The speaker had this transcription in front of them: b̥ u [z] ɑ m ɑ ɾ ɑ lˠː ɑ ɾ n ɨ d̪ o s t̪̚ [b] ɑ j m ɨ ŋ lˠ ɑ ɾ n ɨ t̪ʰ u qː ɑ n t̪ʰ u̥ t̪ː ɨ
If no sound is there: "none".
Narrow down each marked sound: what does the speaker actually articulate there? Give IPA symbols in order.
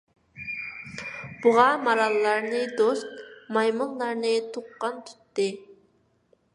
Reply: ʁ, m

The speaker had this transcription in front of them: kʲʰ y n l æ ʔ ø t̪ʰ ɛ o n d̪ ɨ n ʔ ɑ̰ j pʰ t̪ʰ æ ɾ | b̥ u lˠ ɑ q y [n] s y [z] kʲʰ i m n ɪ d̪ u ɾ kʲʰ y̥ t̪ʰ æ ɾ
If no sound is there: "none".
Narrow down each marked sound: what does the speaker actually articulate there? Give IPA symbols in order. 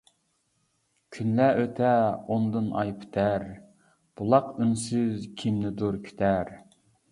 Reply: n, z

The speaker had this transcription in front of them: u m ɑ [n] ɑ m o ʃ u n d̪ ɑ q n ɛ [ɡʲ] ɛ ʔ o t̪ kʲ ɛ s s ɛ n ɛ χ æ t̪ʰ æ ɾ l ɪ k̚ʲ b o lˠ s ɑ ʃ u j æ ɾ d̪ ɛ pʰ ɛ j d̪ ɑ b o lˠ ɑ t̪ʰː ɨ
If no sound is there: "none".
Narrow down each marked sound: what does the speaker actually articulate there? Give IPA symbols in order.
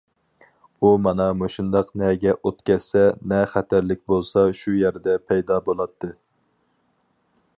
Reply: n, ɡʲ

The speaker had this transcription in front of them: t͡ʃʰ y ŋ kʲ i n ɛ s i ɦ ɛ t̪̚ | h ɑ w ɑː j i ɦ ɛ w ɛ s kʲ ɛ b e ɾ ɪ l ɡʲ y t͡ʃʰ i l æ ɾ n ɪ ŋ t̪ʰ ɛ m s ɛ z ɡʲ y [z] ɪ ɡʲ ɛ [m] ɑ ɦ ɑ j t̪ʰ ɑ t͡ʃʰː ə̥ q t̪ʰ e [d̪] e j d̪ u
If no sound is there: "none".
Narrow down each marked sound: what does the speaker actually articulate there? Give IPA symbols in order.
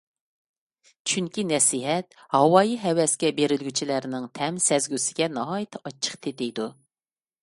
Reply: s, n, t̪

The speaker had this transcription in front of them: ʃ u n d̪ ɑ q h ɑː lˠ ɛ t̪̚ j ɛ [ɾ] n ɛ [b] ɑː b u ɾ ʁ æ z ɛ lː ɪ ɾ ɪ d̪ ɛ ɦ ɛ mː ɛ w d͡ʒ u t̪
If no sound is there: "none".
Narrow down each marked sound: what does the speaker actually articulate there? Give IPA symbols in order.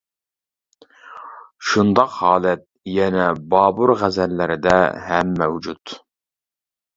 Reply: none, b

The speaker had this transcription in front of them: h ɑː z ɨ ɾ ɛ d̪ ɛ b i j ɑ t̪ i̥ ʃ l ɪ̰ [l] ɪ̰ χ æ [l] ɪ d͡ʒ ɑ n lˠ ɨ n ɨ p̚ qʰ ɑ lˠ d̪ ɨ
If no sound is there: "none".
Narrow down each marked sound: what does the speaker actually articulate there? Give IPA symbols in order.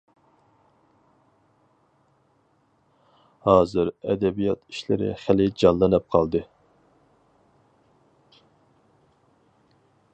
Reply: ɾ, l

